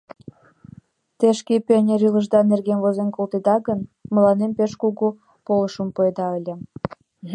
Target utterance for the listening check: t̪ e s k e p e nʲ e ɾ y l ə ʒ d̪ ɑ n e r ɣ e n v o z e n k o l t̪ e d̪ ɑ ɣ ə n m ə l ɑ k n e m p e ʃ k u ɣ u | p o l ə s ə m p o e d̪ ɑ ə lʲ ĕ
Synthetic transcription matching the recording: t̪ e ʃ k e p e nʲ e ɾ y l ə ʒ d̪ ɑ n e r ɣ e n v o z e n k o l t̪ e d̪ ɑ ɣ ə n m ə l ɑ n e m p e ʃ k u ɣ u | p o l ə ʃ ə m p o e d̪ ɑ ə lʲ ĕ